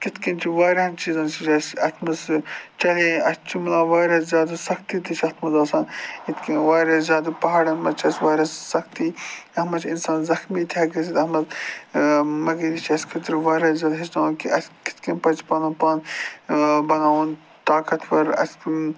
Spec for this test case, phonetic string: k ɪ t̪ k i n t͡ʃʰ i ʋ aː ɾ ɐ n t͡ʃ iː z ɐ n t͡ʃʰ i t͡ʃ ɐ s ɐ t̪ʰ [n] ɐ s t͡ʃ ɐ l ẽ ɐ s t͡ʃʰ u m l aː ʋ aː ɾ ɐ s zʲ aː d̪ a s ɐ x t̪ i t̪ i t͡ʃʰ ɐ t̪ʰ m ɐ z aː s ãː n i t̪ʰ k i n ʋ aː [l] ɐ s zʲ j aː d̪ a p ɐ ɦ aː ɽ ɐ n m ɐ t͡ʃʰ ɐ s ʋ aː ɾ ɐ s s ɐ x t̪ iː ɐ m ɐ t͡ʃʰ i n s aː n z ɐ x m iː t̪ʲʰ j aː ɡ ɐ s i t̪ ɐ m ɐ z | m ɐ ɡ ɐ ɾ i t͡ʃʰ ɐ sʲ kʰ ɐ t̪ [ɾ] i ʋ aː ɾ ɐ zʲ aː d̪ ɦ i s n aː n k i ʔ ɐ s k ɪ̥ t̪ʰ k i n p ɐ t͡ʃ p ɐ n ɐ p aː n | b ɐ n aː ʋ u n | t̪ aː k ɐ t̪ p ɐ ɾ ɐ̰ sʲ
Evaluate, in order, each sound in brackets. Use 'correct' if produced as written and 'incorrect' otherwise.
incorrect: m, incorrect: ɾ, correct

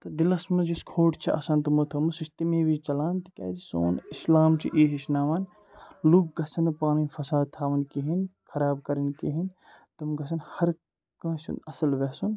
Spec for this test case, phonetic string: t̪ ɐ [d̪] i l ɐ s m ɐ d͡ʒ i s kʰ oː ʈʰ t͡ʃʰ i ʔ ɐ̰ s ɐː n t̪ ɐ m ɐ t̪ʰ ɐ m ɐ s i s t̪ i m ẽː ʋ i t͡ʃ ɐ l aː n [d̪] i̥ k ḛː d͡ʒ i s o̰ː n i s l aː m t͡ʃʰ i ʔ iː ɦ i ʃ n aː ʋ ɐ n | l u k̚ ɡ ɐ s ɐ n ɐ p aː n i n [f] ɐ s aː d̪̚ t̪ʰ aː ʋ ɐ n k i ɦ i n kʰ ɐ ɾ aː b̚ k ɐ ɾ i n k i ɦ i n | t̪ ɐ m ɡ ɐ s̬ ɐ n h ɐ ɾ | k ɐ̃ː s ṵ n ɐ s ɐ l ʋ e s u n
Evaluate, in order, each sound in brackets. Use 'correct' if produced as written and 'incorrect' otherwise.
correct, incorrect: t̪, correct

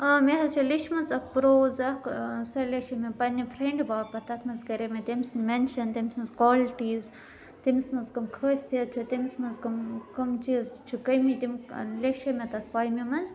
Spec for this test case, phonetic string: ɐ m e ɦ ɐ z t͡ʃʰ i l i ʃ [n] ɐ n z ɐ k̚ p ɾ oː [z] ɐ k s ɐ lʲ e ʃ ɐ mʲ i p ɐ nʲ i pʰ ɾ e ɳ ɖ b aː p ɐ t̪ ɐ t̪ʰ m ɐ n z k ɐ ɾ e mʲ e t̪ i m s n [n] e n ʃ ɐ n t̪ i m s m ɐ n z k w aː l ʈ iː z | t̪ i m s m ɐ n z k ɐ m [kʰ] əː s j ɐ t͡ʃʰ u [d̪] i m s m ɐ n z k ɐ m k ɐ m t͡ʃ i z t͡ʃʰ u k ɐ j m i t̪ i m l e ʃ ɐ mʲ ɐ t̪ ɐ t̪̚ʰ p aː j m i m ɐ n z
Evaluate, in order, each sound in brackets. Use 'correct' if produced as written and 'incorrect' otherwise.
incorrect: m, correct, incorrect: m, correct, incorrect: t̪

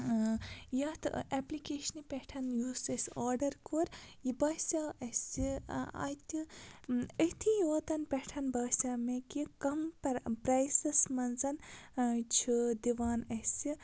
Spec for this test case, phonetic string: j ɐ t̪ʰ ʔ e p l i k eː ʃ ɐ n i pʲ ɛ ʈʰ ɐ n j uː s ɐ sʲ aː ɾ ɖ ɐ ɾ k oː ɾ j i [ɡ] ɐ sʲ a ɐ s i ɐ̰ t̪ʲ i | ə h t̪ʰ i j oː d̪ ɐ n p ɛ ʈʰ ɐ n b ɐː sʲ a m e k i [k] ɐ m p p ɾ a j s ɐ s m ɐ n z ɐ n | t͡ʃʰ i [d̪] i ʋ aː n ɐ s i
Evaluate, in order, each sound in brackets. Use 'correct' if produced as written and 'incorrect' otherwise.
incorrect: b, correct, correct

